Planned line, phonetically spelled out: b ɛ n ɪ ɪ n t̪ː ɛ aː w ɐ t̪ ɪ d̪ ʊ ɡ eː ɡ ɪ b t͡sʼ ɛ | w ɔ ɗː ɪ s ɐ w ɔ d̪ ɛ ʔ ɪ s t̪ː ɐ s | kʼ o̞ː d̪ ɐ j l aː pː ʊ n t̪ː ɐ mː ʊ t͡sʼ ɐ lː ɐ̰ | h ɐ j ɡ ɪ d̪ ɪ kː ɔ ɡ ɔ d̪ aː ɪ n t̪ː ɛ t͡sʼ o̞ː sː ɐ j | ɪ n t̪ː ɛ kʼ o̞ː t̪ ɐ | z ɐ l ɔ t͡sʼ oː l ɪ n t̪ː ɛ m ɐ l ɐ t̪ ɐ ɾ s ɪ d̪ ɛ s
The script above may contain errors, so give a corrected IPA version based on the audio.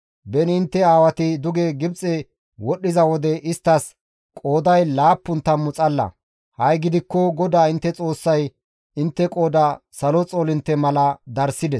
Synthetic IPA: b ɛ n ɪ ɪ n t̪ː ɛ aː w ɐ t̪ ɪ d̪ ʊ ɡ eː ɡ ɪ b t͡sʼ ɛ | w ɔ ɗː ɪ z ɐ w ɔ d̪ ɛ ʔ ɪ s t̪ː ɐ s | kʼ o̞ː d̪ ɐ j l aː pː ʊ n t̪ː ɐ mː ʊ t͡sʼ ɐ lː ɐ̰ | h ɐ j ɡ ɪ d̪ ɪ kː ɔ ɡ ɔ d̪ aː ɪ n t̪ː ɛ t͡sʼ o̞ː sː ɐ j | ɪ n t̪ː ɛ kʼ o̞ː d̪ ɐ | s ɐ l ɔ t͡sʼ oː l ɪ n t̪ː ɛ m ɐ l ɐ d̪ ɐ ɾ s ɪ d̪ ɛ s